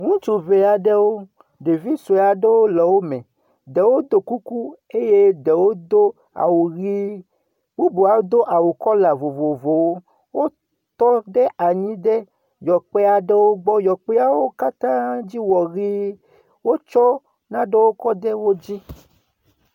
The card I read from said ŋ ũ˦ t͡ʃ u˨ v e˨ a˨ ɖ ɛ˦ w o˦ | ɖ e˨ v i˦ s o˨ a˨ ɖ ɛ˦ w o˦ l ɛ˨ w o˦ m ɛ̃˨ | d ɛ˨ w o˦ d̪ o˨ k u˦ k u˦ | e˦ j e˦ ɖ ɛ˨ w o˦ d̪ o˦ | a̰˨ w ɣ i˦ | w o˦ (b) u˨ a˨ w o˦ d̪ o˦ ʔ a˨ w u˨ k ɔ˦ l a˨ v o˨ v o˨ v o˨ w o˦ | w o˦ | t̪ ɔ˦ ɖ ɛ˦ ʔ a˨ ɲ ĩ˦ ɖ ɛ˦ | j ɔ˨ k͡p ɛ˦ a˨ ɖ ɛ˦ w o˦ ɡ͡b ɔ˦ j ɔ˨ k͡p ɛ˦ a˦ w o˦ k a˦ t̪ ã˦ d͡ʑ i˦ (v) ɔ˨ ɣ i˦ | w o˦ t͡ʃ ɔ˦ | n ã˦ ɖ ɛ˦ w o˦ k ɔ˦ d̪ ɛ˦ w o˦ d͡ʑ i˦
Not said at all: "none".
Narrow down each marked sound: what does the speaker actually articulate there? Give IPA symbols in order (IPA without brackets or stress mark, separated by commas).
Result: b, w